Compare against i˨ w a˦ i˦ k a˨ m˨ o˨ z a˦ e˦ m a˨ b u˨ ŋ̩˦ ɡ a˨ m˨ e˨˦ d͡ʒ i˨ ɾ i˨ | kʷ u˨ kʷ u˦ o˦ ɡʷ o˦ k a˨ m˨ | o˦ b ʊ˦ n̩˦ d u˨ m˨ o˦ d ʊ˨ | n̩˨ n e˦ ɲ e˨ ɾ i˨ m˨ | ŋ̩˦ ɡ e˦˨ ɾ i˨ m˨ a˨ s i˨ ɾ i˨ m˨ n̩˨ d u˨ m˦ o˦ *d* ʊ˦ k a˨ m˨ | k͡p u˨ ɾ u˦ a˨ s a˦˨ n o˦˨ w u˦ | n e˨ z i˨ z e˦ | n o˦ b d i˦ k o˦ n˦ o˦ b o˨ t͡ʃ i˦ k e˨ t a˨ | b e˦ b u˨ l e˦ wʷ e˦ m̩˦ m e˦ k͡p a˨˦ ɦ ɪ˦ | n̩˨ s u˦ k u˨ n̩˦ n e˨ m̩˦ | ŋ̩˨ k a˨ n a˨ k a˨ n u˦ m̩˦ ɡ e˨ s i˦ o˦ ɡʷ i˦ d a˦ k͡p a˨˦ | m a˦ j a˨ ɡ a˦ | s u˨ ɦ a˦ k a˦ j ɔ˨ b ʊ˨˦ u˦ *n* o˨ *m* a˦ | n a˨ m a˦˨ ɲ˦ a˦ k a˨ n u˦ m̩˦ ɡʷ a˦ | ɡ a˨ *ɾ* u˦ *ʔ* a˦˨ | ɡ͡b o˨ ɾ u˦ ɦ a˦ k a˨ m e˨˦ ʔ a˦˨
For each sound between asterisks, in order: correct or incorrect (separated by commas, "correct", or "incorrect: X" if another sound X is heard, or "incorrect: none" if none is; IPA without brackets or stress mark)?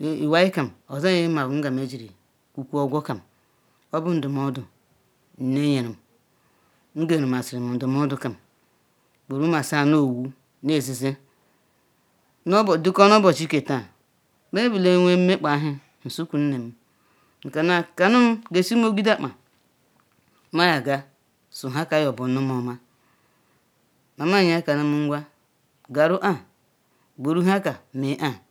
correct, incorrect: m, correct, correct, correct